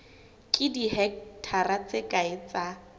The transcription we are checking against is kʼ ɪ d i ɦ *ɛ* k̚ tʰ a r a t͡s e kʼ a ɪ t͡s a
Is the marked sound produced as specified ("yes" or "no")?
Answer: yes